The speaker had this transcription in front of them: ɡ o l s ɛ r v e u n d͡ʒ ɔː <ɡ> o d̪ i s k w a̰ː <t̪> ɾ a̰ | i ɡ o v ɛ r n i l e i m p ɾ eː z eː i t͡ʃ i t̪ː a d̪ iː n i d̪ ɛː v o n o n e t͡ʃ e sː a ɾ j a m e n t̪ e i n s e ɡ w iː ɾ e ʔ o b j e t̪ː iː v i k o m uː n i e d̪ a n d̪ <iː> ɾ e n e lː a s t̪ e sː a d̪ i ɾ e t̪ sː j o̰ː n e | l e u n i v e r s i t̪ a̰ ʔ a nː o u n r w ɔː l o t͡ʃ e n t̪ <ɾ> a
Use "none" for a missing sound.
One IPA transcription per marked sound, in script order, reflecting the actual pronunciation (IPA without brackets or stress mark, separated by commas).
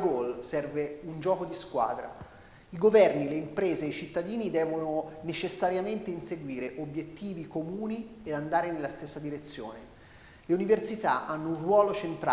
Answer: k, d̪, aː, ɾ